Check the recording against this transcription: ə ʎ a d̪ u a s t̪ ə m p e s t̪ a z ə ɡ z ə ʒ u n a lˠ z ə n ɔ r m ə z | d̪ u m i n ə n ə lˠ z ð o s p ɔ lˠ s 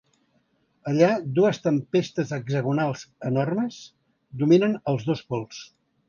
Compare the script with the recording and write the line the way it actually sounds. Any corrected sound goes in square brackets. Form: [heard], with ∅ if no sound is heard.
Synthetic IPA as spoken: ə ʎ a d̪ u [ə] s t̪ ə m p e s t̪ [ə] z ə ɡ z ə [ɣ] u n a lˠ z ə n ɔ r m ə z | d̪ u m i n ə n ə lˠ z ð o s p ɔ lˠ s

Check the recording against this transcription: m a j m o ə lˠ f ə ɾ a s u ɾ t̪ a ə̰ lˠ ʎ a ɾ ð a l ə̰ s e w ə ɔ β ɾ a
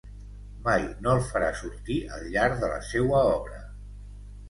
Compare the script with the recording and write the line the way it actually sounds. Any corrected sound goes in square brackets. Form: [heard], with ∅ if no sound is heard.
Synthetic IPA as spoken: m a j [n] o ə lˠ f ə ɾ a s u ɾ t̪ [i] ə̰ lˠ ʎ a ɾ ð [ə] l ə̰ s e w ə ɔ β ɾ [ə]

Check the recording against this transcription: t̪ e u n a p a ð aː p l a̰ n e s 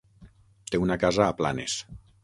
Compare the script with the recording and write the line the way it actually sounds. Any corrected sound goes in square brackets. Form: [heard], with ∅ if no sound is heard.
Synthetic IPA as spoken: t̪ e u n a [k] a [z] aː p l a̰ n e s

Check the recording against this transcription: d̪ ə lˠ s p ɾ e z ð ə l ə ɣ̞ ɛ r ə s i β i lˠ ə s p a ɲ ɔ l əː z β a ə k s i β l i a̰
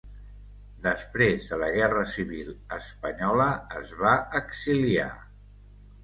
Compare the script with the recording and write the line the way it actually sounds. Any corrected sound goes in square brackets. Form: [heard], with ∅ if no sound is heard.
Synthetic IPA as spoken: d̪ ə [∅] s p ɾ e z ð ə l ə ɣ̞ ɛ r ə s i β i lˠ ə s p [ə] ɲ ɔ l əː z β a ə k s i [∅] l i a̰

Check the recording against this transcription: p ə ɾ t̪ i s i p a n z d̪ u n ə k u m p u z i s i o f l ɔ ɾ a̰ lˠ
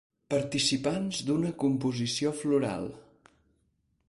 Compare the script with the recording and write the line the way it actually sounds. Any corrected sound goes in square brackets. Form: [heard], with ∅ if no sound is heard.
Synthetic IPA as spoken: p ə ɾ t̪ i s i p a n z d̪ u n ə k u m p u z i s i o f l [u] ɾ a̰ lˠ

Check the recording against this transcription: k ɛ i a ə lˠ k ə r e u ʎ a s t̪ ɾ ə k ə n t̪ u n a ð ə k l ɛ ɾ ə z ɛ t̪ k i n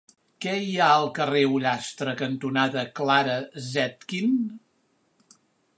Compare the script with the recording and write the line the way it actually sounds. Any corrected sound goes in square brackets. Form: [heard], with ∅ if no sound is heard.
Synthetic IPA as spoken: k ɛ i a ə lˠ k ə r e u ʎ a s t̪ ɾ ə k ə n t̪ u n a ð ə k l [a] ɾ ə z ɛ t̪ k i n

